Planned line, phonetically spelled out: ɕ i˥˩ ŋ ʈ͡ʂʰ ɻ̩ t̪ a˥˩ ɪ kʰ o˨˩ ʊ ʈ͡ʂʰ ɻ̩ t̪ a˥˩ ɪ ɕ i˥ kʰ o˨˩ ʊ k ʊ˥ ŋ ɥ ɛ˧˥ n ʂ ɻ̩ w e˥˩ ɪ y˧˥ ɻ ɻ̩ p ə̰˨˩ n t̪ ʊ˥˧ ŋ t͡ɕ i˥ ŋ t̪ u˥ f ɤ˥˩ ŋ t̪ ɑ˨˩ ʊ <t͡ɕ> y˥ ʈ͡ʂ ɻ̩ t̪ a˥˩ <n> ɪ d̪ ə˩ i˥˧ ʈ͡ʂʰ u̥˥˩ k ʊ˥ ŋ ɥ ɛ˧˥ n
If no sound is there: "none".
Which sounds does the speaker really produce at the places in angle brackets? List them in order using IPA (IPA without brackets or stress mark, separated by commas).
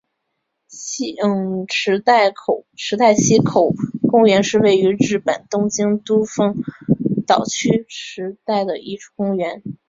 t͡ɕʰ, none